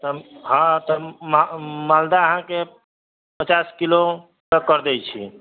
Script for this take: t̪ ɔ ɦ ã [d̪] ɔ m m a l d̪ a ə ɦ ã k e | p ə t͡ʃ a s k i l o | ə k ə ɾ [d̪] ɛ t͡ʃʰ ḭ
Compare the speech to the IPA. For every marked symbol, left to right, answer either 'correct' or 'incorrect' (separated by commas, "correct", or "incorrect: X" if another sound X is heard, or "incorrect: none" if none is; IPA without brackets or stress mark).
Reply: incorrect: t̪, correct